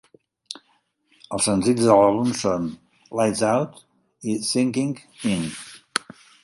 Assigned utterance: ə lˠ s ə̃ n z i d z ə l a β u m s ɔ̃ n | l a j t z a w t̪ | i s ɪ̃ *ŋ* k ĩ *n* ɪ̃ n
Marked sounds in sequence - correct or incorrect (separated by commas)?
correct, incorrect